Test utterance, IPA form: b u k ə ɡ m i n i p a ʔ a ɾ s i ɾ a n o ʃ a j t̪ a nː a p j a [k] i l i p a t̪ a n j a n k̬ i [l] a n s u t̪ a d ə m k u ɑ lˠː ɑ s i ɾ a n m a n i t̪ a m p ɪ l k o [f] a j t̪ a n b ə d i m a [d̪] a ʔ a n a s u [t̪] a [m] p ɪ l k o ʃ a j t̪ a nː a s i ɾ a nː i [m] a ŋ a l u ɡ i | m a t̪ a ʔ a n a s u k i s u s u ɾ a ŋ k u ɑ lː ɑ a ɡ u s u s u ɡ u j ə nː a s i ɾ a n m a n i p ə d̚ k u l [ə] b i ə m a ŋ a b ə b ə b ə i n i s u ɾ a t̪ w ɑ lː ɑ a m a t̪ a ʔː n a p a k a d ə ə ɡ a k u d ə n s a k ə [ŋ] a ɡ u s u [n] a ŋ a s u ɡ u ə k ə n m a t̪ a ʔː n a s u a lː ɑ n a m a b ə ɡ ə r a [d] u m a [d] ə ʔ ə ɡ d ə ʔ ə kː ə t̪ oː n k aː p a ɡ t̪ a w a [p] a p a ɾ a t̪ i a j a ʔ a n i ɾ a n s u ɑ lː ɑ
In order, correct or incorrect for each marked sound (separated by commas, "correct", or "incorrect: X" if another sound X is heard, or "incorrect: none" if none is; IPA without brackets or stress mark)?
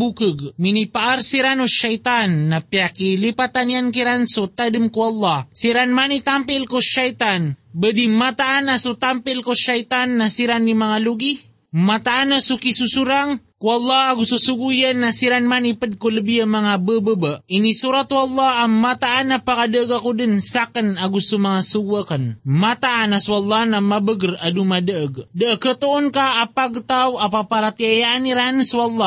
correct, incorrect: ɾ, incorrect: ʃ, incorrect: t̪, correct, correct, correct, correct, incorrect: n, incorrect: m, correct, correct, correct